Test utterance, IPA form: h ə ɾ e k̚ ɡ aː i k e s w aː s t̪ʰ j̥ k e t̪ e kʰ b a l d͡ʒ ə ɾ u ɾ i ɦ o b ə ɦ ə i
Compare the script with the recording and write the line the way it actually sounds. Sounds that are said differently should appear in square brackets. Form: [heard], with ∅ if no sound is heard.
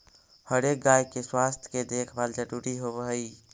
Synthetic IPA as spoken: h ə ɾ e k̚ ɡ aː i k e s w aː s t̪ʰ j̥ k e [d̪] e kʰ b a l d͡ʒ ə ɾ u ɾ i ɦ o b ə ɦ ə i